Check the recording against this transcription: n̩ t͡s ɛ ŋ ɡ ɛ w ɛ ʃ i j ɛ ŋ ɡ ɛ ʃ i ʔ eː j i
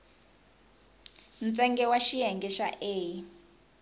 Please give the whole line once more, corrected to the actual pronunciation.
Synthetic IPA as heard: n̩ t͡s ɛ ŋ ɡ ɛ w a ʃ i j ɛ ŋ ɡ ɛ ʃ a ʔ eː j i